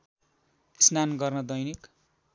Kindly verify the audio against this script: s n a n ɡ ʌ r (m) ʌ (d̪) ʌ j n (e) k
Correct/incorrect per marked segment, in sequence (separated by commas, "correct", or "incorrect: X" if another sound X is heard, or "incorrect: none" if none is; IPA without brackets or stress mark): incorrect: n, correct, incorrect: i